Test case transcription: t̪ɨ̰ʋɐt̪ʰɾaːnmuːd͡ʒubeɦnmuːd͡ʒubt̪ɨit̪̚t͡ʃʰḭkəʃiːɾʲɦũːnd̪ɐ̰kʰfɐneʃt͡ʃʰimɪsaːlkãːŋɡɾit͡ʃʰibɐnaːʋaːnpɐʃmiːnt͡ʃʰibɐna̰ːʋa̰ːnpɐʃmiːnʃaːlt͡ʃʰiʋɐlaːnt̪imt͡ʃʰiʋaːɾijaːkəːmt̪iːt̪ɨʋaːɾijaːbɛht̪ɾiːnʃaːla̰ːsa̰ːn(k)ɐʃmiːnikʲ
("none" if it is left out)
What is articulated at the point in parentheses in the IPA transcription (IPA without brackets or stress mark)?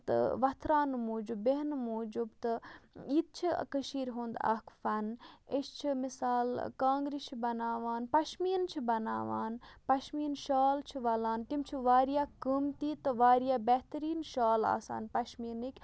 p